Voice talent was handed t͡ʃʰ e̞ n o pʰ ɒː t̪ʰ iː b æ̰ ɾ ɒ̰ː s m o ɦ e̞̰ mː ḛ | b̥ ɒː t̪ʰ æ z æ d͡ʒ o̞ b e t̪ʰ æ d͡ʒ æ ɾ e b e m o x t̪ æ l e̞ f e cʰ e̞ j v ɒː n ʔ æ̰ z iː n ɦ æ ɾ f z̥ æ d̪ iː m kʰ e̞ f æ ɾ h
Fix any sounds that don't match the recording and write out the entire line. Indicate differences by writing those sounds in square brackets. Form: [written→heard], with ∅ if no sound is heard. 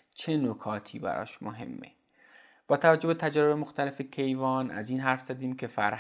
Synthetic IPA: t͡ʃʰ e̞ n o [pʰ→kʰ] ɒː t̪ʰ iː b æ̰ ɾ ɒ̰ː [s→ʃ] m o ɦ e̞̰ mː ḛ | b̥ ɒː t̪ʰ æ [z→v] æ d͡ʒ o̞ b e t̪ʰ æ d͡ʒ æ ɾ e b e m o x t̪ æ l e̞ f e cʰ e̞ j v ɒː n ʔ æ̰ z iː n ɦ æ ɾ f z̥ æ d̪ iː m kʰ e̞ f æ ɾ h